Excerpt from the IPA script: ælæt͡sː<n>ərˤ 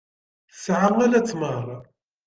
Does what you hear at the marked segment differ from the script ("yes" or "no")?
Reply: yes